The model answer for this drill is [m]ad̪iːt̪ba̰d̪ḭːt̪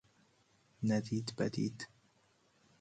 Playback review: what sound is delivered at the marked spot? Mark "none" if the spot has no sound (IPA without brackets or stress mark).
n